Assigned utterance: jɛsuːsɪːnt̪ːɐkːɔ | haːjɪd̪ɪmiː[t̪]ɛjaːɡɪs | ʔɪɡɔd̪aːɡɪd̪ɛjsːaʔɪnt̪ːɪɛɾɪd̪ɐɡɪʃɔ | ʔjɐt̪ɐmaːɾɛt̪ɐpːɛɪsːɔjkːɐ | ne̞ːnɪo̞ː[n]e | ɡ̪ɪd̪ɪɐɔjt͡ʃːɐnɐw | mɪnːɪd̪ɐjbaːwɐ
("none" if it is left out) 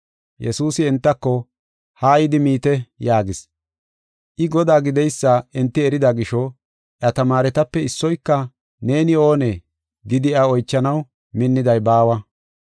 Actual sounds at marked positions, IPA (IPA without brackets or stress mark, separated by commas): t̪, n